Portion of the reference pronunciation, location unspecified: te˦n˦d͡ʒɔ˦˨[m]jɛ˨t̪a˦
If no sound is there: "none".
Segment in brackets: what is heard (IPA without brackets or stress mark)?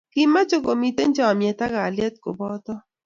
m